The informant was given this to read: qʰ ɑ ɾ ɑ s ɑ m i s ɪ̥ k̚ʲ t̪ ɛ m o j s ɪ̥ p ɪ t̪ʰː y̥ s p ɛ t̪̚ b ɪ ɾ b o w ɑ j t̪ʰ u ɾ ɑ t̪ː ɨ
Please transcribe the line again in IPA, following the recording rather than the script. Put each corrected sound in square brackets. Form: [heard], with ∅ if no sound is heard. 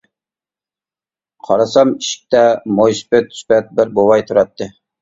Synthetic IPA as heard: qʰ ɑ ɾ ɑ s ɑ m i [ʃ] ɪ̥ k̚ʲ t̪ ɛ m o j s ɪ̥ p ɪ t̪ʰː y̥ s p ɛ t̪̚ b ɪ ɾ b o w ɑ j t̪ʰ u ɾ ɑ t̪ː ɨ